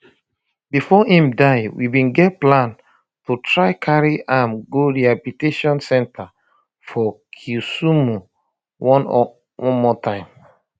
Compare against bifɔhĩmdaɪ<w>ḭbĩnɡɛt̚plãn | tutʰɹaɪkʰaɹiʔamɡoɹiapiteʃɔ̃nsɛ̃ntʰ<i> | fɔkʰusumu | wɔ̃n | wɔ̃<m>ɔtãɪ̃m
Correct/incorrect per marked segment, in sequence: correct, incorrect, correct

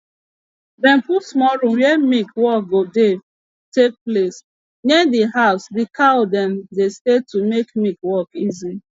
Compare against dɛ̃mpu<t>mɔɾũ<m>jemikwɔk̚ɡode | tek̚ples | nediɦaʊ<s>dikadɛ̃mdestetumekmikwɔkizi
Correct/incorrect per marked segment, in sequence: incorrect, correct, correct

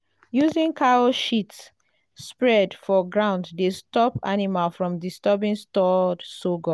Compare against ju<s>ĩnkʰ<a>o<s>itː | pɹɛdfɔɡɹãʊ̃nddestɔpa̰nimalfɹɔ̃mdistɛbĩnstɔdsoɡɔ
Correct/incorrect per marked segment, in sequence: incorrect, correct, incorrect

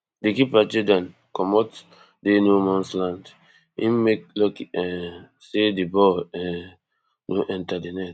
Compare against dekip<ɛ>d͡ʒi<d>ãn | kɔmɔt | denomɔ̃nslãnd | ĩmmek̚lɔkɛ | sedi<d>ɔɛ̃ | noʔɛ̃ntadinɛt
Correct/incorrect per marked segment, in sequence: incorrect, correct, incorrect

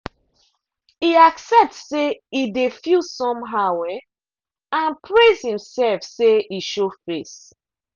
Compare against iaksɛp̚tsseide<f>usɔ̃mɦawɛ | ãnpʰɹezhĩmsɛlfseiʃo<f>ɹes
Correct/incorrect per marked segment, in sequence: correct, correct

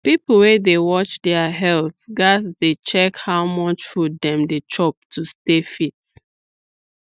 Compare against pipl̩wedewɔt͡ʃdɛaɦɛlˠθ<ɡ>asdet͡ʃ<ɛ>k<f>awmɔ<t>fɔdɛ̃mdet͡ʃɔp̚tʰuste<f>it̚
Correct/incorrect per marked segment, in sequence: correct, correct, incorrect, incorrect, correct

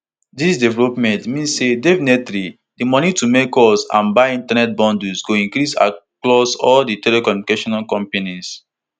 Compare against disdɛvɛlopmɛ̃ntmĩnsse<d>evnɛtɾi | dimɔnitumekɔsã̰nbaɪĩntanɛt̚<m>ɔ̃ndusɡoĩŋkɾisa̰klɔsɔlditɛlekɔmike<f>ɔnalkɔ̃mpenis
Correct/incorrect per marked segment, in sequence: correct, incorrect, incorrect

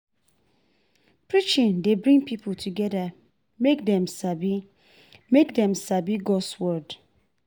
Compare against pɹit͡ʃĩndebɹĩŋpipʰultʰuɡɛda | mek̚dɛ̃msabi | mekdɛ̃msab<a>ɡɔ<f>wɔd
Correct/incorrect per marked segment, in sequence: incorrect, incorrect

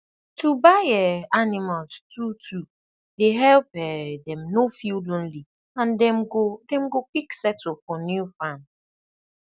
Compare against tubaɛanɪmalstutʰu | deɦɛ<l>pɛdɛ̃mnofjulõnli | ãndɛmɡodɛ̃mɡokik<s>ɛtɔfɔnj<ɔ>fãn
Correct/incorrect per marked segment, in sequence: correct, correct, incorrect

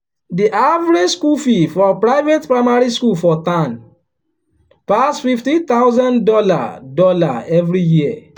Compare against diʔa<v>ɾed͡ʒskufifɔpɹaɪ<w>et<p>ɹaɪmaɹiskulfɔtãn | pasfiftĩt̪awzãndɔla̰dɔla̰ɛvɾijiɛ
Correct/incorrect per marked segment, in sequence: correct, incorrect, correct

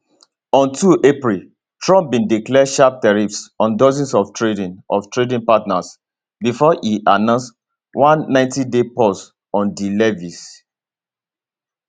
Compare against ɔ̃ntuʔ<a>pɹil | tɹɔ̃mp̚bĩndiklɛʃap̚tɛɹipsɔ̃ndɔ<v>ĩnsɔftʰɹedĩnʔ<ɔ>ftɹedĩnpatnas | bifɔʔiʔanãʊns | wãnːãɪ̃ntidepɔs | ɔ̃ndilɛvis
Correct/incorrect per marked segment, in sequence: incorrect, incorrect, correct

